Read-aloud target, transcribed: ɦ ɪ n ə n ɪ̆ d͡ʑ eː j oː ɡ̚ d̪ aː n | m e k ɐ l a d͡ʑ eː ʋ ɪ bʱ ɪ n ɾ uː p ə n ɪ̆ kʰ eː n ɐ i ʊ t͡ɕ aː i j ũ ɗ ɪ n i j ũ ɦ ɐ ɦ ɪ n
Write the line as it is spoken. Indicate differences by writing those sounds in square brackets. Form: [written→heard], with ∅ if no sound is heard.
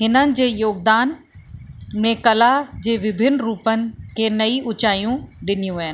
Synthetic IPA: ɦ ɪ n ə n ɪ̆ d͡ʑ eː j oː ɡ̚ d̪ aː n | m [e→ẽ] k ɐ l a d͡ʑ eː ʋ ɪ bʱ ɪ n ɾ uː p ə n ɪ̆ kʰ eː n ɐ i ʊ t͡ɕ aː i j ũ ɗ ɪ n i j ũ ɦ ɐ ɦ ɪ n